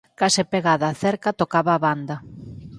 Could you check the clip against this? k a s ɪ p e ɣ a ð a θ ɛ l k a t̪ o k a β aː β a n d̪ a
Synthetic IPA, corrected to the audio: k a s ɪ p e ɣ a ð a θ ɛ ɾ k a t̪ o k a β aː β a n d̪ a